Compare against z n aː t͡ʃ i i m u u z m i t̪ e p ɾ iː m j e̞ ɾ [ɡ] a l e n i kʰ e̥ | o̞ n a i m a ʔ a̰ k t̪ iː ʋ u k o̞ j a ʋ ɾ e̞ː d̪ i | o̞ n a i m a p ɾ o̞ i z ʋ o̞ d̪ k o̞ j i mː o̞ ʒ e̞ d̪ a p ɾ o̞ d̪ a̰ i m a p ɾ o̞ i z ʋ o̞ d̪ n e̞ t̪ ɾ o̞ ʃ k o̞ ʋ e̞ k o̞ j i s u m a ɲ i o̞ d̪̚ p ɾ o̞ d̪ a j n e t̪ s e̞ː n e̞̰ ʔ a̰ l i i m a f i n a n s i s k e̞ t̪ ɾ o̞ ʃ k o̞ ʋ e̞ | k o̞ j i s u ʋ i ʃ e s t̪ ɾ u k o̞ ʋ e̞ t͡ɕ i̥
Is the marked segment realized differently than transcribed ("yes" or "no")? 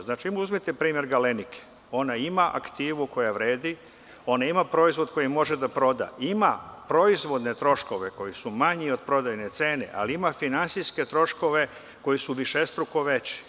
no